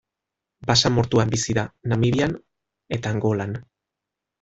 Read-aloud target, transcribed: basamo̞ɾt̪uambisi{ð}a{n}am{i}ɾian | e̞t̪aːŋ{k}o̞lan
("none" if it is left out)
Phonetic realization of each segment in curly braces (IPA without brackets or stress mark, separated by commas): ð, n, i, ɡ